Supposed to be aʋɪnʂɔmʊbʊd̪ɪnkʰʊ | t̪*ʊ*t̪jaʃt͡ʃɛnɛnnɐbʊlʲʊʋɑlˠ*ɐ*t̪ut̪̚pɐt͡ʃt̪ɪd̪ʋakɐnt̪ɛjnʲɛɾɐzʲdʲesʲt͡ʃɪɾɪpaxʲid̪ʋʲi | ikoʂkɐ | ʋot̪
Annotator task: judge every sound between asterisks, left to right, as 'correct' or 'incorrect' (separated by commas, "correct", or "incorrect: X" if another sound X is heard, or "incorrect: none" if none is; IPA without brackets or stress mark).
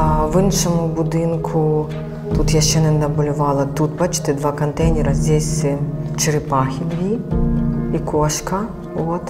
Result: incorrect: u, correct